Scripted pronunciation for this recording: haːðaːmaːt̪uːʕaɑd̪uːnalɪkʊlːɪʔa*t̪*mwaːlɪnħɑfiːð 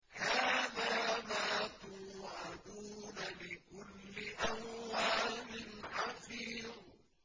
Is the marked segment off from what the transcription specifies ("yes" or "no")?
yes